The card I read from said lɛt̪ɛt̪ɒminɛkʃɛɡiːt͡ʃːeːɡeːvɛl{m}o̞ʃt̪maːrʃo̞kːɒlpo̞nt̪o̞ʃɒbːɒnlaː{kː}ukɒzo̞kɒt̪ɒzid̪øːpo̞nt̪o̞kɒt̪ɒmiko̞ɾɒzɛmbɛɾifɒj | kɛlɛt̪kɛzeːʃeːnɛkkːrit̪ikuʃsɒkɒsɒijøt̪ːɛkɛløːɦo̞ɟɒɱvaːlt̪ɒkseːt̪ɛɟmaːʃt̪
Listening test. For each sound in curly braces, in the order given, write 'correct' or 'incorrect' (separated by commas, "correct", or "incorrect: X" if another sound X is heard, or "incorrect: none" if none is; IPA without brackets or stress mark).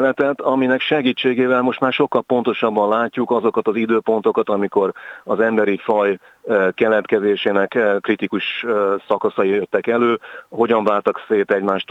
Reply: correct, incorrect: cː